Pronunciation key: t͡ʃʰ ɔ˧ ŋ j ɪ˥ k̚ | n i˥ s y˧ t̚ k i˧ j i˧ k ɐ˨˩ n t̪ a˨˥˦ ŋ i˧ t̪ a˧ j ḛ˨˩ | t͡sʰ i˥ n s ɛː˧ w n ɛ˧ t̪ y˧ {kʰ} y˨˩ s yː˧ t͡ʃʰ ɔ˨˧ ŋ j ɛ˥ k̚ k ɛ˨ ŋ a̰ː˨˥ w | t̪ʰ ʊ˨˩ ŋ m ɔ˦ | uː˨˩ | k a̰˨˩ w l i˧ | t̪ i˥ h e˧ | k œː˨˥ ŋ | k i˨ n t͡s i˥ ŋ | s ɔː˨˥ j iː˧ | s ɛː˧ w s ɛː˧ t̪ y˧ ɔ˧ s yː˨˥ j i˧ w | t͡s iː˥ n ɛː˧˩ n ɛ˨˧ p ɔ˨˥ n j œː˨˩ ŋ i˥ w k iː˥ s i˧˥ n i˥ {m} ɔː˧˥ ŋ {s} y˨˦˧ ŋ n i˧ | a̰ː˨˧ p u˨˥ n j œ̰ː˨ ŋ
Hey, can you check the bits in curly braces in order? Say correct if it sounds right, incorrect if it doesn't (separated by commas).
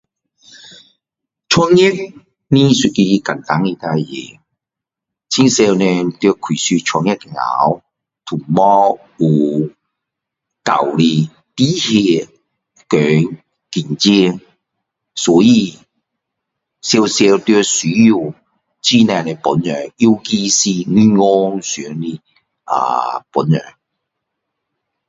correct, incorrect, correct